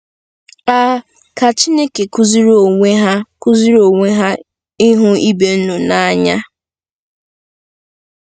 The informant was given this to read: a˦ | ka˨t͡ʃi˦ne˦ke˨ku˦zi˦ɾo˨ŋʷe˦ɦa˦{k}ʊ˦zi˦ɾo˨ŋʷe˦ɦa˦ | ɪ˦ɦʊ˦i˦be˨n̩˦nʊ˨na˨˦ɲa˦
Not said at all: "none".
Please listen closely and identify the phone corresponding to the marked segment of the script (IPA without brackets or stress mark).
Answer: k